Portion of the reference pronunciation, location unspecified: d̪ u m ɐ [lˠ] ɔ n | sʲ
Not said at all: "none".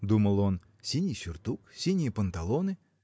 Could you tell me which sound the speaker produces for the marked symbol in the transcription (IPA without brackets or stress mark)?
lˠ